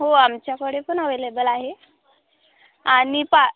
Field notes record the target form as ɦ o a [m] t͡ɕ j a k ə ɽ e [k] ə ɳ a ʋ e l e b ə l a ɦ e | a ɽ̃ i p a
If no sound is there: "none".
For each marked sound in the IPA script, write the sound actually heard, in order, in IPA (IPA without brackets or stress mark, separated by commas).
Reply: m, p